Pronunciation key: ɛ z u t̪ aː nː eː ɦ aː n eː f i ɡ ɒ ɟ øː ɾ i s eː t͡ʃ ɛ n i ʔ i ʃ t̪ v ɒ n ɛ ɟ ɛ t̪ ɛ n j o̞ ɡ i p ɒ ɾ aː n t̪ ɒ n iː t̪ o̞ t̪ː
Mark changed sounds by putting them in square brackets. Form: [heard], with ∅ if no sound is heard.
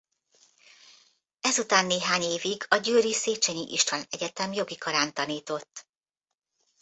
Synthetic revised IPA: ɛ z u t̪ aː nː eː ɦ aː [ɲ] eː [v] i ɡ ɒ ɟ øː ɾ i s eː t͡ʃ ɛ [ɲ] i ʔ i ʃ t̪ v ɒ n ɛ ɟ ɛ t̪ ɛ [m] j o̞ ɡ i [k] ɒ ɾ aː n t̪ ɒ n iː t̪ o̞ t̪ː